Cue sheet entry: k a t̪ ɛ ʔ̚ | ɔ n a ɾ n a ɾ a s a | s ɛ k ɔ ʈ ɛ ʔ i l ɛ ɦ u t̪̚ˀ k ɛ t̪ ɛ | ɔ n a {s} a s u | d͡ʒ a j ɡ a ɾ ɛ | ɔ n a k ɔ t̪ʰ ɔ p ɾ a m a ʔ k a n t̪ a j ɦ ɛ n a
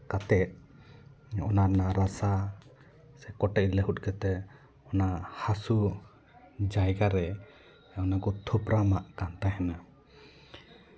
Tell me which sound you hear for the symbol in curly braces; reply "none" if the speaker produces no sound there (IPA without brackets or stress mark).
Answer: h